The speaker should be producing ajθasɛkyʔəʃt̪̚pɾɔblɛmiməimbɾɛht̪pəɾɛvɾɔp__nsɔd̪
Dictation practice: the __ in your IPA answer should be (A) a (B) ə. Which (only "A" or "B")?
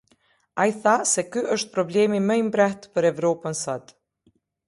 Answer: B